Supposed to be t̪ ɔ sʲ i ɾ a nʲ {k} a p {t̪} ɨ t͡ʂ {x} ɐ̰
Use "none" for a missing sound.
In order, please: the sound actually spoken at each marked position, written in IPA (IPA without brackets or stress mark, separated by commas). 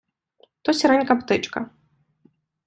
k, t̪, k